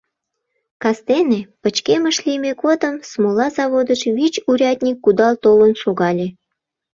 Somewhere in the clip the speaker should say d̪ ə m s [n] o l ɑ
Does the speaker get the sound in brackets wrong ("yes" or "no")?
yes